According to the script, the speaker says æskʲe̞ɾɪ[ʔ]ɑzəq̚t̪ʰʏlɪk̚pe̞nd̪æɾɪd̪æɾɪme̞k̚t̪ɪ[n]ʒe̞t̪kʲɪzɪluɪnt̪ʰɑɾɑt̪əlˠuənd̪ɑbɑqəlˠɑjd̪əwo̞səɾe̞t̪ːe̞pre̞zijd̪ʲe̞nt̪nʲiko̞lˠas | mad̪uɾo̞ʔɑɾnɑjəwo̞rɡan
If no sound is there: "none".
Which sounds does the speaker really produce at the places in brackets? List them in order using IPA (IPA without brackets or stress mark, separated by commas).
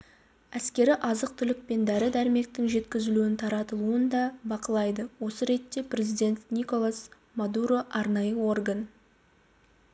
ʔ, ŋ